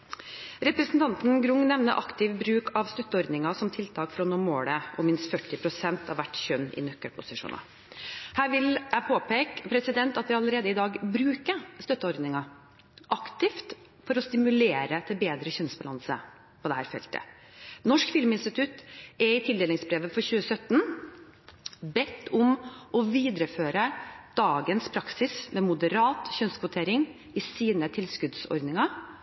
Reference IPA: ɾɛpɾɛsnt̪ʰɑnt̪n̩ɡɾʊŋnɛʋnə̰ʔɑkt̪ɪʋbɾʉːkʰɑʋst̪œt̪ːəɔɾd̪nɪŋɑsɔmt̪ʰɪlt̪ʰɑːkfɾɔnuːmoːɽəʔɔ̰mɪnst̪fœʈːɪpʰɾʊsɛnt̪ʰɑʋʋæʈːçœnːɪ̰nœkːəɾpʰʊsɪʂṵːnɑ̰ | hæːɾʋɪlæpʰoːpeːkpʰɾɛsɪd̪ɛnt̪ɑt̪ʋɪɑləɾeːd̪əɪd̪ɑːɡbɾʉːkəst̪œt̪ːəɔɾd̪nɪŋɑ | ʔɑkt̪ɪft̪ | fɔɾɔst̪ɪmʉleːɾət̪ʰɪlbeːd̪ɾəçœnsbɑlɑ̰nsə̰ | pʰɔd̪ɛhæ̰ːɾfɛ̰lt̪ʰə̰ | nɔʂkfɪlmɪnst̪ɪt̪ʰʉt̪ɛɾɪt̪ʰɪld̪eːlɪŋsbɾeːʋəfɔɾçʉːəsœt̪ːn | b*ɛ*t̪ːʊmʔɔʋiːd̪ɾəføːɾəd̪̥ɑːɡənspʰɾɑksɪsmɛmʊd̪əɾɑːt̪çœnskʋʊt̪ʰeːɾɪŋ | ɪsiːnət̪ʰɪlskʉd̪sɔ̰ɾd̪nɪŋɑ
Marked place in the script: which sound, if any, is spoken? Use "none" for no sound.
ɛ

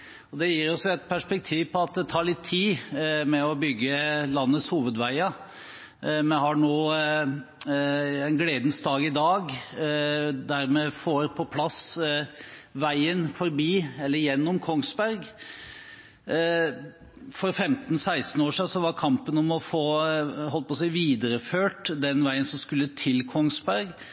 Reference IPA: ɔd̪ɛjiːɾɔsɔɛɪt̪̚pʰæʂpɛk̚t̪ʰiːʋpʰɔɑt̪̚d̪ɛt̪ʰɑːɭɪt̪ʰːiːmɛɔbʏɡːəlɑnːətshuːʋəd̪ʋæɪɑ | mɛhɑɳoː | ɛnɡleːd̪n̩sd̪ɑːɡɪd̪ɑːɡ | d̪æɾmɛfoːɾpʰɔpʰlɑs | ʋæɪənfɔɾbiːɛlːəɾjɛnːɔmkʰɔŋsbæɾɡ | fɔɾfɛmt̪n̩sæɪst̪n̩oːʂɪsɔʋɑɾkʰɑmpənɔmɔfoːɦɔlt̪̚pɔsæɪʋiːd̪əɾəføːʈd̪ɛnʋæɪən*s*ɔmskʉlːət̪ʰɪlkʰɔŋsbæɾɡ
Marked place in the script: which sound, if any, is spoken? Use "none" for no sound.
s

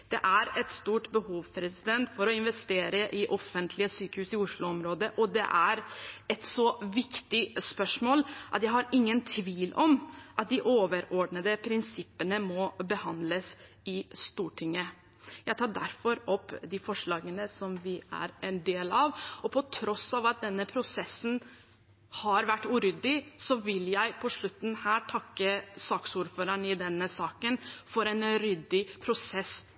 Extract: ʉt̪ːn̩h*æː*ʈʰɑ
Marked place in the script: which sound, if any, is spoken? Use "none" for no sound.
æː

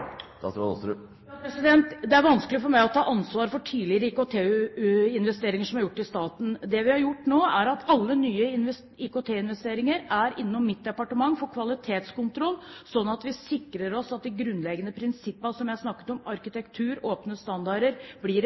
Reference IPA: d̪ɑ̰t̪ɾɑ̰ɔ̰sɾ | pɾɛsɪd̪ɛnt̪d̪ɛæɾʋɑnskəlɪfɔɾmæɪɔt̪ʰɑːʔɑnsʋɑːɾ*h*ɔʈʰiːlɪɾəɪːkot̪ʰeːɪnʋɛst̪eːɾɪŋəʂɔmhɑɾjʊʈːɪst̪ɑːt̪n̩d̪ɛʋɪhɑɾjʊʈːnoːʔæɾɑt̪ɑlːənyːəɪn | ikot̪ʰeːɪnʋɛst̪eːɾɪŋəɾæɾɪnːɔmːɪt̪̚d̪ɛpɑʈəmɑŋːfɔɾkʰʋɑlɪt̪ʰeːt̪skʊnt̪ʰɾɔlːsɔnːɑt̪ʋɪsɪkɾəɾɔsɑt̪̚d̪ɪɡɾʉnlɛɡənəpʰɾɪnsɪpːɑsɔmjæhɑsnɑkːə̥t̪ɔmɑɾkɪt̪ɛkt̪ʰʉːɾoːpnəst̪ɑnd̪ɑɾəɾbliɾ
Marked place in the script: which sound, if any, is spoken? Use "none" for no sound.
f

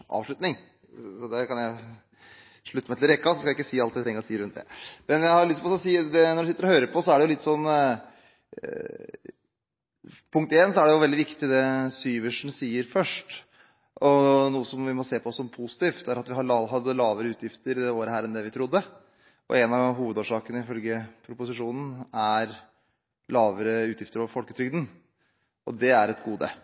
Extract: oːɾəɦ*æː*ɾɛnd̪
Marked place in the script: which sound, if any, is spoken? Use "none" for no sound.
æː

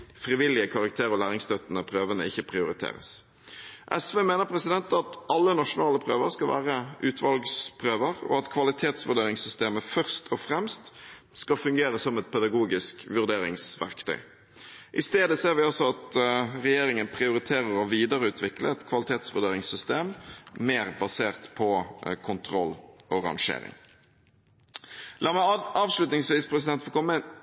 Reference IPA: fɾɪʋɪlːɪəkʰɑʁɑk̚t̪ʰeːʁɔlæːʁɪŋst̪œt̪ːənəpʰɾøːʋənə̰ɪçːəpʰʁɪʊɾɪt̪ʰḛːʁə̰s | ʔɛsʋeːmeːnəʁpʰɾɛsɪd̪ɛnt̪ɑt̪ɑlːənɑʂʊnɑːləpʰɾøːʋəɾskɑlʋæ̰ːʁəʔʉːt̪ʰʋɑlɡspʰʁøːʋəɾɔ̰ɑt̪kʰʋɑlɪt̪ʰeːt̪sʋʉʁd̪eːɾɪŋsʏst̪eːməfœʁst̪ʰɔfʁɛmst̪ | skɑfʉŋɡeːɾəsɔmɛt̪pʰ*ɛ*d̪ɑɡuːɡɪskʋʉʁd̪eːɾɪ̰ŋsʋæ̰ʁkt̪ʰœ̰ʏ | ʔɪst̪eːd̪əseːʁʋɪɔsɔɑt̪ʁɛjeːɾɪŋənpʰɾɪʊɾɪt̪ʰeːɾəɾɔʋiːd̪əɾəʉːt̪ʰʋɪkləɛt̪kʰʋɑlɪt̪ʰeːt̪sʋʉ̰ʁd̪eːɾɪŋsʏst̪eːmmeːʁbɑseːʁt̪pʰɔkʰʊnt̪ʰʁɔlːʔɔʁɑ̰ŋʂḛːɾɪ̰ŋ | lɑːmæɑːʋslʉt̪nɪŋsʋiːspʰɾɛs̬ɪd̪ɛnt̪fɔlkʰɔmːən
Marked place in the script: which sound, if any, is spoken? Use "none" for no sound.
ɛ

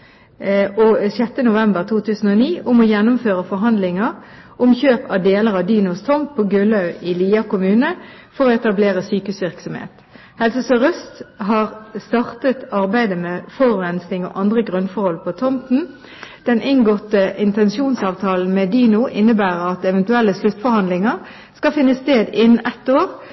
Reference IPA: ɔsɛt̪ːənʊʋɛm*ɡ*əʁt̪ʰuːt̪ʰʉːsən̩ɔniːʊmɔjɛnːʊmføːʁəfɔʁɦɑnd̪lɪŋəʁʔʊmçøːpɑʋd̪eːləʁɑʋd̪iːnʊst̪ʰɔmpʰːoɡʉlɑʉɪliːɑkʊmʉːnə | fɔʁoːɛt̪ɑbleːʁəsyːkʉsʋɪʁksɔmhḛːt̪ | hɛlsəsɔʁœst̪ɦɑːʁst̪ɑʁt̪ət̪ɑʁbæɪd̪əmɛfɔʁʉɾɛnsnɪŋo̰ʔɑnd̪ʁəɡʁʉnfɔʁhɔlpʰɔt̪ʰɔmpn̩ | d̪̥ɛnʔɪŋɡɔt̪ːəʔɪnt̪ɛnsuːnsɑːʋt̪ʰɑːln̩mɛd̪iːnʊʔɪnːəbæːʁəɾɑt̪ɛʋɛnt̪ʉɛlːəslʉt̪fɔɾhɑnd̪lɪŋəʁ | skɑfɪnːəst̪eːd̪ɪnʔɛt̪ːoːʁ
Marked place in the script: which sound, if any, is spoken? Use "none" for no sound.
b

